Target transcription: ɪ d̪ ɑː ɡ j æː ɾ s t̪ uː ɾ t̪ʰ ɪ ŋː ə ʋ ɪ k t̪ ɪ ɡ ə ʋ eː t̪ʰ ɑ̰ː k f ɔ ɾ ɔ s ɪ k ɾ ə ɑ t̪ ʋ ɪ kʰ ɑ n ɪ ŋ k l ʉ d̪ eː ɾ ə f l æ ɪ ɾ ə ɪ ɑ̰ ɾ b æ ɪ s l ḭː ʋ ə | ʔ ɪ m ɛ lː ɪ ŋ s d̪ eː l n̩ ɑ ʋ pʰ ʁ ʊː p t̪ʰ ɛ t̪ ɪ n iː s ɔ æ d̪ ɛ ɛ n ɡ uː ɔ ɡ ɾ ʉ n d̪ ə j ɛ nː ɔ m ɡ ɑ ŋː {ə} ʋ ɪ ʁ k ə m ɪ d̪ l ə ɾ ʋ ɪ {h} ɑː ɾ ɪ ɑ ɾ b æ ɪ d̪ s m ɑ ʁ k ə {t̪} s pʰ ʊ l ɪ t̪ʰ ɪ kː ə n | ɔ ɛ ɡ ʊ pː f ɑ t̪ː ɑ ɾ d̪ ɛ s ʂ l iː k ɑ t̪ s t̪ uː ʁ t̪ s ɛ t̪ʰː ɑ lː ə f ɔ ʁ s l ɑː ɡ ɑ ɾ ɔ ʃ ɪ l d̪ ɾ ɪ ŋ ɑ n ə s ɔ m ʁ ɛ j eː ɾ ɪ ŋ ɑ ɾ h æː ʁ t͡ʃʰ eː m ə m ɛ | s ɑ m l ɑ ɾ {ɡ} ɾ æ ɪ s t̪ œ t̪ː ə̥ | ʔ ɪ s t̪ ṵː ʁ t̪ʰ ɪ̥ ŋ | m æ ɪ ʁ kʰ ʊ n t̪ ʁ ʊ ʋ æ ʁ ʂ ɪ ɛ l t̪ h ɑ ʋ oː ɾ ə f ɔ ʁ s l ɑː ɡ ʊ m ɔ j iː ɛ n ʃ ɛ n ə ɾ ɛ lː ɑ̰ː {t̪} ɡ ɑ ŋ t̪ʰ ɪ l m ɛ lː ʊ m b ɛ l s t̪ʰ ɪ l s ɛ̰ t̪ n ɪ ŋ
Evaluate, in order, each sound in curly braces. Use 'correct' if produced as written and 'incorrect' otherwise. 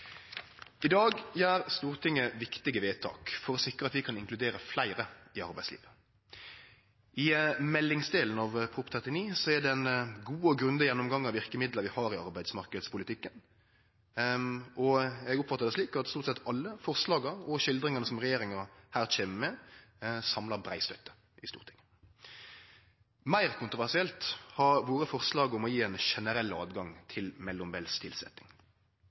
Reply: incorrect, correct, incorrect, incorrect, incorrect

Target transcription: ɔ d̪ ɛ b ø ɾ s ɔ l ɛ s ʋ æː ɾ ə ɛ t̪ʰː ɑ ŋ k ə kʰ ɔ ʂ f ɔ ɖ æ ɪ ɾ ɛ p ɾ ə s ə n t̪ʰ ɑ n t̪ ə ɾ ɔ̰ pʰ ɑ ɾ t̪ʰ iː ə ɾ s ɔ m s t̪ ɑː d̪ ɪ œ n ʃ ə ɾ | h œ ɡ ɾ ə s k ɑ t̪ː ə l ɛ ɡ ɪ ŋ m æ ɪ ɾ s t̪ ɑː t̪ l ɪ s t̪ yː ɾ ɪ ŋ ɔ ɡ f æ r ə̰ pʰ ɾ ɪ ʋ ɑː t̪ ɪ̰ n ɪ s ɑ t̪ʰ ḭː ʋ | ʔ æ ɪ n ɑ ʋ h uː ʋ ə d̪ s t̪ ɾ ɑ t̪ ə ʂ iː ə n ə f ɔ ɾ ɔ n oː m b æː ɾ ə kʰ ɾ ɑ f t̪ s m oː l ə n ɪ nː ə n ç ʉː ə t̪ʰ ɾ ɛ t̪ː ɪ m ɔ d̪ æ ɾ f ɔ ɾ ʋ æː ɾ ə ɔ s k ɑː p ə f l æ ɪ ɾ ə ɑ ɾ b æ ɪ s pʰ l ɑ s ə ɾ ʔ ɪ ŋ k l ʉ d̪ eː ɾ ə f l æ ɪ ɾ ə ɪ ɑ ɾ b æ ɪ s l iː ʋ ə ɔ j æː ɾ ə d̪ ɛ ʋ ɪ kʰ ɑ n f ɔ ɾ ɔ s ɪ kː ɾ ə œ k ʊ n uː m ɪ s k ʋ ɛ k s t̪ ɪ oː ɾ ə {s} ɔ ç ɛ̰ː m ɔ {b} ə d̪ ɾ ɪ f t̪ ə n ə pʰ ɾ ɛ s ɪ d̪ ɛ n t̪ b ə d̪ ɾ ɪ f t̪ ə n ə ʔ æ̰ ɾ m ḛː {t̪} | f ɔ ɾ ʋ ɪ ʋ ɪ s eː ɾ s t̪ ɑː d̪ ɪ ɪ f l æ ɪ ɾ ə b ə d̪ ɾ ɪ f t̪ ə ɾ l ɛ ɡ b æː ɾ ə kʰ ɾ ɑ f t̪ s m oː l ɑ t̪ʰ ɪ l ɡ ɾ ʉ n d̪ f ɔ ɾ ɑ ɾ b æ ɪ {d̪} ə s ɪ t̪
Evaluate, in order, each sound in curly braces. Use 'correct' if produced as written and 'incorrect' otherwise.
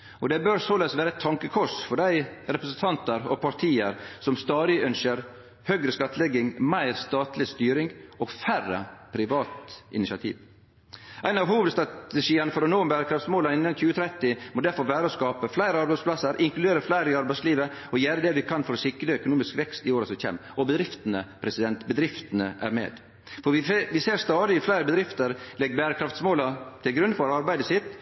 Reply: correct, correct, incorrect, correct

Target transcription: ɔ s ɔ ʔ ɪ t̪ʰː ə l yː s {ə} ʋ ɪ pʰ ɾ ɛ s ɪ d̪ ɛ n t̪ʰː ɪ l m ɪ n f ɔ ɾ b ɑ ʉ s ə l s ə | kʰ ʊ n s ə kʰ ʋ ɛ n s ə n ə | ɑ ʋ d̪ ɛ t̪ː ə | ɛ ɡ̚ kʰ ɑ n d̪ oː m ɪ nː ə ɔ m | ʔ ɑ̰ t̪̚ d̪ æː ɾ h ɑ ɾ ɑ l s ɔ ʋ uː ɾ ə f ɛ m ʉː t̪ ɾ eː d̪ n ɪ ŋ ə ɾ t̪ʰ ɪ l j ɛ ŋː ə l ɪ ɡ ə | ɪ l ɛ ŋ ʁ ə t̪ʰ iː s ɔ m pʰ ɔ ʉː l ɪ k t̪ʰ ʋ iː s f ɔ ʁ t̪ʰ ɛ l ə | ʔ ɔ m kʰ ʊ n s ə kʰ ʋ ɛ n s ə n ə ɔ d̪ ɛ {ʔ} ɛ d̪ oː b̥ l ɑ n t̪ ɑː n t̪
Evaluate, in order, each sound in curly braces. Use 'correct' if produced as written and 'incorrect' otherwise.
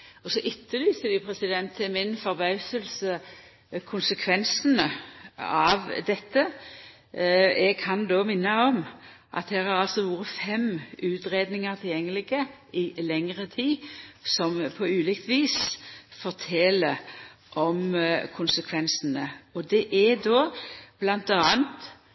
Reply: correct, correct

